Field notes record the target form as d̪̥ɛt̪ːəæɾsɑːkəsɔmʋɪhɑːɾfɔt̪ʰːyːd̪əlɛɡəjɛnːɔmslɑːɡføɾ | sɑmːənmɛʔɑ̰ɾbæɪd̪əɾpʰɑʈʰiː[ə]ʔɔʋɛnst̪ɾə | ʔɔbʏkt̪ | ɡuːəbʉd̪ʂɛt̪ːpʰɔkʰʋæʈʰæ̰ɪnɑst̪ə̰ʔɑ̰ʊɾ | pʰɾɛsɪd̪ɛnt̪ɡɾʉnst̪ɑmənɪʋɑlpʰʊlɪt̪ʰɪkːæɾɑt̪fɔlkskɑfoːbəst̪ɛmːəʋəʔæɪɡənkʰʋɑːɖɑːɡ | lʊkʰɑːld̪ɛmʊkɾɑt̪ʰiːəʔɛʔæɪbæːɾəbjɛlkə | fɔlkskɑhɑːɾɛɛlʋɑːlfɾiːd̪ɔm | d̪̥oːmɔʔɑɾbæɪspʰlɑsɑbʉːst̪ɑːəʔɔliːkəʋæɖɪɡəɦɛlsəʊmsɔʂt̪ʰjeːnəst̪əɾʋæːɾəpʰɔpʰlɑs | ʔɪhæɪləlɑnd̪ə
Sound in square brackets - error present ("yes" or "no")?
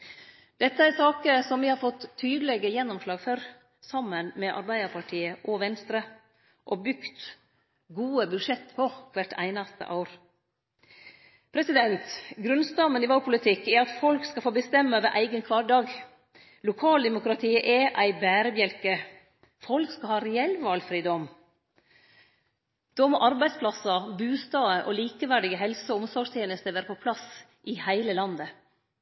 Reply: no